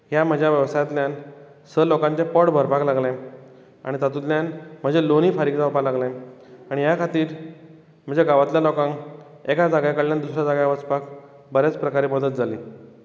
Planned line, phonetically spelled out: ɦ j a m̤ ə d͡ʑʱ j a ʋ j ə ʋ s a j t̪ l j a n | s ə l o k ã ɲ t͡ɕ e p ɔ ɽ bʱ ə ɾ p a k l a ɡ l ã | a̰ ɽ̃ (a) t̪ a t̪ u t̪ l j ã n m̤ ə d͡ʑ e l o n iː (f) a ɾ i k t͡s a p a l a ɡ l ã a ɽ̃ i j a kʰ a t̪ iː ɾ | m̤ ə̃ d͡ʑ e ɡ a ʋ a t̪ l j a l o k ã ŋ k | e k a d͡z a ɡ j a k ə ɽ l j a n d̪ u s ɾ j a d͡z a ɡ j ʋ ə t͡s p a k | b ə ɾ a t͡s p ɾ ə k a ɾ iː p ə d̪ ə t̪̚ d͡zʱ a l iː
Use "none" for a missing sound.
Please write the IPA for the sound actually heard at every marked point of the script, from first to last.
i, f

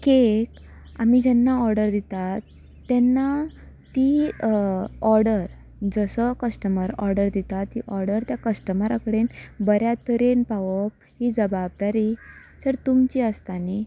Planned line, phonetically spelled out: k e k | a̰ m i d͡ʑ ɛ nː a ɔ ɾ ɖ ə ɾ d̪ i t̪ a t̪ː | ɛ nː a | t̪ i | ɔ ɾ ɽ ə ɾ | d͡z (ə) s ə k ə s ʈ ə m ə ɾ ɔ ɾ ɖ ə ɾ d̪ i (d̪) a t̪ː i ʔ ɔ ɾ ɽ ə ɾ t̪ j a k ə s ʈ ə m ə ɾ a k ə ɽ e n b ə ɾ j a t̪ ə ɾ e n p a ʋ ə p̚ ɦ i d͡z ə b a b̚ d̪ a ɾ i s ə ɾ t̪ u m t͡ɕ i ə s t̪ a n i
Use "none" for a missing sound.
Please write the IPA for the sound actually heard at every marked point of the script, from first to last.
ə, t̪

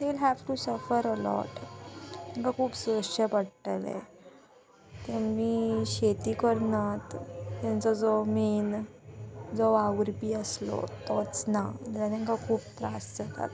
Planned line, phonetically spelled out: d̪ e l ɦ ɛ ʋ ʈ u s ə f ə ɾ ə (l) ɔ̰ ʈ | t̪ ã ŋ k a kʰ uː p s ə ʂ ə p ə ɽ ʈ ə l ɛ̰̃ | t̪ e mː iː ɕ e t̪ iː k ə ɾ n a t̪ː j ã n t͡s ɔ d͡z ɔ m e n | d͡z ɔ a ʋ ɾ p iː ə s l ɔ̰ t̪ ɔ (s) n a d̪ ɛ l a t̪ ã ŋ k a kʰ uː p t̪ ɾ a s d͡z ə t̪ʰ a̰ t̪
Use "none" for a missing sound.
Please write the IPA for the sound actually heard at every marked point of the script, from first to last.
l, t͡s

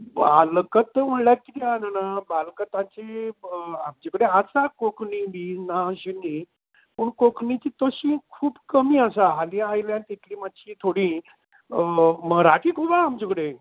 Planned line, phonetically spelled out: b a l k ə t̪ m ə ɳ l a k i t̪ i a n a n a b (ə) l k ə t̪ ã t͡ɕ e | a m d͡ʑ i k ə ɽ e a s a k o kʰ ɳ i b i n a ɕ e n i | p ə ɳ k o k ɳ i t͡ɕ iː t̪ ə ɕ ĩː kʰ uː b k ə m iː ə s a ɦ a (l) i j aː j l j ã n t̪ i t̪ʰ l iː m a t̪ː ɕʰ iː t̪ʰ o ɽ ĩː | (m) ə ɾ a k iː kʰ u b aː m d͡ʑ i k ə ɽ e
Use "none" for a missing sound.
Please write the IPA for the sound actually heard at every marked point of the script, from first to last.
a, l, m

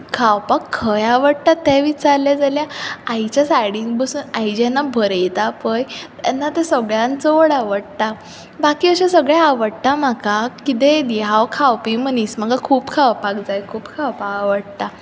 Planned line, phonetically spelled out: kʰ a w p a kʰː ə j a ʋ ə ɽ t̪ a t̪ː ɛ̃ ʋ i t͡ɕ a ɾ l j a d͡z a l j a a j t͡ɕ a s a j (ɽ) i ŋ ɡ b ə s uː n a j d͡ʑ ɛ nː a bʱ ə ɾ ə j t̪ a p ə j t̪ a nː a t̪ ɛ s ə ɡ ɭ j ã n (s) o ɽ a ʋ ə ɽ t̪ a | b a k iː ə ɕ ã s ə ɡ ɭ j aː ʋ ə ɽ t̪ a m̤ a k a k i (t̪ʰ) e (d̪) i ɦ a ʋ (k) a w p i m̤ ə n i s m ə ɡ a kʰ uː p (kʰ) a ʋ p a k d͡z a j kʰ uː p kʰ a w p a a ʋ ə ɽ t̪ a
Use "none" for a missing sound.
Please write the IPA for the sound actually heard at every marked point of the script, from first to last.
ɽ, t͡s, t̪, d̪, kʰ, kʰ

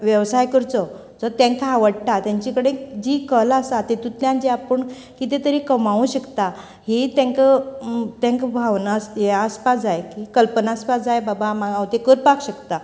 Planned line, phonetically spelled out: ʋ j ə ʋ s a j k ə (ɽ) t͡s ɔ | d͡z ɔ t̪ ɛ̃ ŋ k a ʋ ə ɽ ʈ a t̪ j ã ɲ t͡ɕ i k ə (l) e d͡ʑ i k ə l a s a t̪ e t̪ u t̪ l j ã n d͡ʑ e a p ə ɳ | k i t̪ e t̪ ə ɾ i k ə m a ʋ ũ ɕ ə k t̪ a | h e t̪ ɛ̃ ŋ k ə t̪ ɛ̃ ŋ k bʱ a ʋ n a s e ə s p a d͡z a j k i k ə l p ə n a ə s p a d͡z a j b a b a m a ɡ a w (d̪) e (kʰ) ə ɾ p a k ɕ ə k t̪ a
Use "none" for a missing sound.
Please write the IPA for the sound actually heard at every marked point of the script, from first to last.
ɾ, ɽ, t̪, k

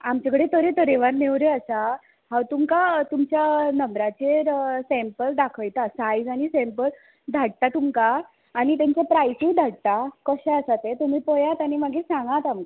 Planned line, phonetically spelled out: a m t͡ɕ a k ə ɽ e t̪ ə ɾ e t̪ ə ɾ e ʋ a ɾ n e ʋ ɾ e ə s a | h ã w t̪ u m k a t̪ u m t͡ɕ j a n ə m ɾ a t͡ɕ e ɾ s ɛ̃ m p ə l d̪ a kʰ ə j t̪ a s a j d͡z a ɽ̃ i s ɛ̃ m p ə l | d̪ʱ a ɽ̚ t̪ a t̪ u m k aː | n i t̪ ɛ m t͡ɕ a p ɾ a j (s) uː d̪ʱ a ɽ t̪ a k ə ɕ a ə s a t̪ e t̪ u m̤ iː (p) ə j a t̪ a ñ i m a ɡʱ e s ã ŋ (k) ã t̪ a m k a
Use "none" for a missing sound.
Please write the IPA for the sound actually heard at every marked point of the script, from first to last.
s, p, ɡ

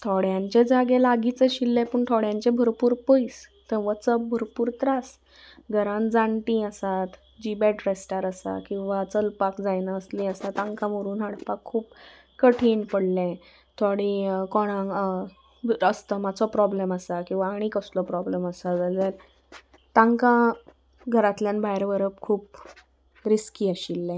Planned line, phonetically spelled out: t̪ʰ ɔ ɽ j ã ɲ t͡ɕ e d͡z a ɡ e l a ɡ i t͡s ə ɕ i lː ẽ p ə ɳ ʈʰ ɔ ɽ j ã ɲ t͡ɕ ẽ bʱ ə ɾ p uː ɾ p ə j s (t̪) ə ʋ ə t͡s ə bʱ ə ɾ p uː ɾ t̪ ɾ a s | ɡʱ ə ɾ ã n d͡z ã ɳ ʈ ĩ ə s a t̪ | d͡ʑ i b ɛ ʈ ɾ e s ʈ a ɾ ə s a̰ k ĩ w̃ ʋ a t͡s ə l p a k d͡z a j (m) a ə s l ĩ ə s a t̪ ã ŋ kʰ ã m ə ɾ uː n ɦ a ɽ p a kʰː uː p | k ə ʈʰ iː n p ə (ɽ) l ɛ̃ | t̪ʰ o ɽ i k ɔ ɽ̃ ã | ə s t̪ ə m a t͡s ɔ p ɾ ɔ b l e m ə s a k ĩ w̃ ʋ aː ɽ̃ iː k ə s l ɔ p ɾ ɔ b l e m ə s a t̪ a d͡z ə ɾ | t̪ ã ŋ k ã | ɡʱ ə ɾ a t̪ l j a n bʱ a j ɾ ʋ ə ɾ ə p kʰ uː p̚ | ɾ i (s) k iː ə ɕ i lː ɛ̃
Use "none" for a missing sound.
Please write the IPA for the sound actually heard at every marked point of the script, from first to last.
t̪, n, ɽ, s

